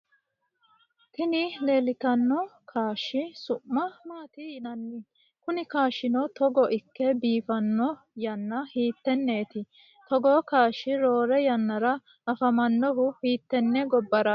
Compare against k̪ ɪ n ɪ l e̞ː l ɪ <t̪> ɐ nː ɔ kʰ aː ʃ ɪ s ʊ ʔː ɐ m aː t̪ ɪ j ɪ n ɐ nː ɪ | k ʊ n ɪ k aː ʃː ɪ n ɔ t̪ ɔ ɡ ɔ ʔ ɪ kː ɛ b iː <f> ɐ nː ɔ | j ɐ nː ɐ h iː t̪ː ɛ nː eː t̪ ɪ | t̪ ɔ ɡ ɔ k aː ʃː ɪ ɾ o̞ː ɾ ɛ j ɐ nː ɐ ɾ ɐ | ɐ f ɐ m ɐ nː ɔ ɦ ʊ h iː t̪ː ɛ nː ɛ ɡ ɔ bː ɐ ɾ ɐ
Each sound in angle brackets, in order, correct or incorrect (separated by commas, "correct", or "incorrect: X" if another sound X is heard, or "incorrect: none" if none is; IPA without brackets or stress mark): correct, correct